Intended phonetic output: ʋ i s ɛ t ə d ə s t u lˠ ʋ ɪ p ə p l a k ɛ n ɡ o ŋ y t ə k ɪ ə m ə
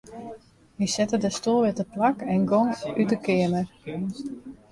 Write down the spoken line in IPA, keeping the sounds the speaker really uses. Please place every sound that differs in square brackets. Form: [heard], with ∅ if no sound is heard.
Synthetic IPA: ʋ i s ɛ t ə d ə s t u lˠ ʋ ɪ [t] ə p l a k ɛ n ɡ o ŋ y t ə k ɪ ə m ə